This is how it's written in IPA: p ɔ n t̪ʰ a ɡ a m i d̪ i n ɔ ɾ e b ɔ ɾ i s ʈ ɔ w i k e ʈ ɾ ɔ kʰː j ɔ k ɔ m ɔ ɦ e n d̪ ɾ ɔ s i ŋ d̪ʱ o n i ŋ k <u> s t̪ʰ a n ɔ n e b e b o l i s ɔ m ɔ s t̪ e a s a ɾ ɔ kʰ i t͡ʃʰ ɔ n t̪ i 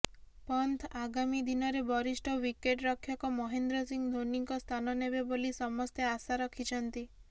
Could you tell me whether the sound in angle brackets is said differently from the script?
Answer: yes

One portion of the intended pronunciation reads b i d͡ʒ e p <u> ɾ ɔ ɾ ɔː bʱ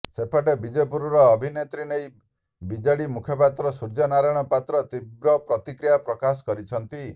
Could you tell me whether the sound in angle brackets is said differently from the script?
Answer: no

